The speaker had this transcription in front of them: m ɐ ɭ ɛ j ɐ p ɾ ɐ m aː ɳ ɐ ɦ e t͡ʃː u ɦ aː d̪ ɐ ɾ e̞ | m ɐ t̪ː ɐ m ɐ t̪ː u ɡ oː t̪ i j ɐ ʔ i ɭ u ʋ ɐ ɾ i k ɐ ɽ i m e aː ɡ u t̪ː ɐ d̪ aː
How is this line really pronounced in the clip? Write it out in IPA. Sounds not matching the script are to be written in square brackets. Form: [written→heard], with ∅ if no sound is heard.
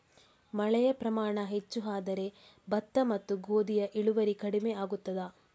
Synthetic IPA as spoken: m ɐ ɭ ɛ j ɐ p ɾ ɐ m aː ɳ ɐ ɦ e t͡ʃː u ɦ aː d̪ ɐ ɾ e̞ | [m→b] ɐ t̪ː ɐ m ɐ t̪ː u ɡ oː [t̪→d̪] i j ɐ ʔ i ɭ u ʋ ɐ ɾ i k ɐ ɽ i m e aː ɡ u t̪ː ɐ d̪ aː